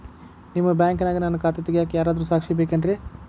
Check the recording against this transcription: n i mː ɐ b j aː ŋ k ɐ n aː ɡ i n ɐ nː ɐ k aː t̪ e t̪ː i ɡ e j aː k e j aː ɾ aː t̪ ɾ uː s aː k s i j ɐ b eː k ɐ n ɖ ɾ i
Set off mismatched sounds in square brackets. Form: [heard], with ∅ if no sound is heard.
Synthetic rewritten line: n i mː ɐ b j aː ŋ k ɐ n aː ɡ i n ɐ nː ɐ k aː t̪ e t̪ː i ɡ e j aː k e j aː ɾ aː [d̪] ɾ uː s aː k [ʂ] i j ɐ b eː k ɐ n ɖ ɾ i